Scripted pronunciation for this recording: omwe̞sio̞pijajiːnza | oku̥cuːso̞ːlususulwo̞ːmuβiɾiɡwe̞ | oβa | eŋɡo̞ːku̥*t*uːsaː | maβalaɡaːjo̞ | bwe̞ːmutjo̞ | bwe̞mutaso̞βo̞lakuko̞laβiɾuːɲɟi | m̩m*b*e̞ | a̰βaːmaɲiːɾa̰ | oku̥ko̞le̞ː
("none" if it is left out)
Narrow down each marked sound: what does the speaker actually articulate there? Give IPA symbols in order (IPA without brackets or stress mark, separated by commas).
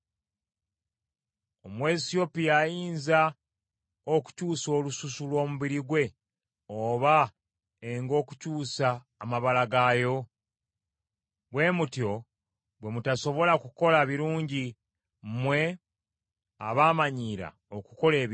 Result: c, w